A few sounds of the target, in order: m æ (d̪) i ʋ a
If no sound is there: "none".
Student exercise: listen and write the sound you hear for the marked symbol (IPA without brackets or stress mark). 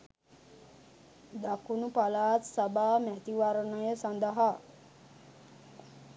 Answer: t̪